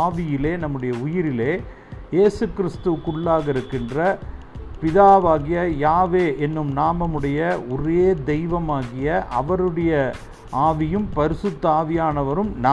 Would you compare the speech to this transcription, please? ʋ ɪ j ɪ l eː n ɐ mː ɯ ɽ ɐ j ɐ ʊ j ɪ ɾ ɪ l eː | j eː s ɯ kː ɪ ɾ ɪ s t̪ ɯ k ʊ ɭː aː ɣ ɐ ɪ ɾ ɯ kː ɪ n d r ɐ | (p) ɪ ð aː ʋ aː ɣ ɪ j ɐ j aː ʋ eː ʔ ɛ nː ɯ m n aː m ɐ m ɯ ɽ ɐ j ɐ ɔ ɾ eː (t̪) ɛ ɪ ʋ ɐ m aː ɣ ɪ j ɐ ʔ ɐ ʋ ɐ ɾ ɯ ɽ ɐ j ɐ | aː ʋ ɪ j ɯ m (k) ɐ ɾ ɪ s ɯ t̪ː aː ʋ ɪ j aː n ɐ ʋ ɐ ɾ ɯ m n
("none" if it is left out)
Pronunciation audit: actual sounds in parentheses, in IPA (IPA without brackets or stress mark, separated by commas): p, d̪, p